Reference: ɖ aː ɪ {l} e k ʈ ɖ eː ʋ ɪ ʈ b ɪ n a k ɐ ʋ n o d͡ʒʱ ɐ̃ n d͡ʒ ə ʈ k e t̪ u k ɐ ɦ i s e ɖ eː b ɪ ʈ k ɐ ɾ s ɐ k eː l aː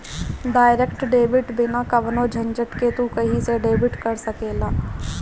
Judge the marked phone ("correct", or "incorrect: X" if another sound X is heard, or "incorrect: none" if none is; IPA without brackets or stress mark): incorrect: ɾ